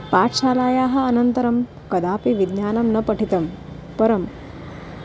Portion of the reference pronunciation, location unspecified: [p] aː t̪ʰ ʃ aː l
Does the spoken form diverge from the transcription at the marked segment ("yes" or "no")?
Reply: no